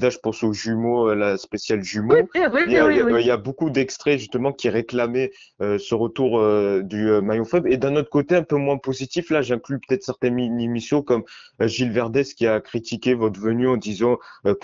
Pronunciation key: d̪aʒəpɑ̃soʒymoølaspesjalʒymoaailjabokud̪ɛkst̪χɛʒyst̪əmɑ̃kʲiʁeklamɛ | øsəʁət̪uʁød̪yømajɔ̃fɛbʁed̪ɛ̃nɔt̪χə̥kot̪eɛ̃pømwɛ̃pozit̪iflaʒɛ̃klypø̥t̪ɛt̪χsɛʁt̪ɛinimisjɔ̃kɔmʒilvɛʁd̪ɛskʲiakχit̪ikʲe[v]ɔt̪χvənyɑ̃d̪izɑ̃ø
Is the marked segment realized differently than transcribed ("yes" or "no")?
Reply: no